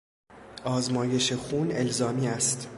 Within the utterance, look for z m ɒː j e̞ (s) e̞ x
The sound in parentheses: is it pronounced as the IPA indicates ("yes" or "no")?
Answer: no